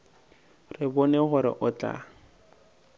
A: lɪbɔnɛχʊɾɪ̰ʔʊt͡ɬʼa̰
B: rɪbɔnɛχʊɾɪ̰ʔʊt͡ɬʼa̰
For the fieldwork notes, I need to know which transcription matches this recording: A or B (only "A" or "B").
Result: B